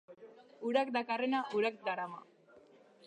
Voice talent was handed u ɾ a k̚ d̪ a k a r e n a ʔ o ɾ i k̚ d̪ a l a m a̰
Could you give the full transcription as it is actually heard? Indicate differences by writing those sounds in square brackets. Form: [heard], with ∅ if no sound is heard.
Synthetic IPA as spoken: u ɾ a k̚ d̪ a k a r e n a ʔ [u] ɾ [a] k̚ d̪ a [ɾ] a m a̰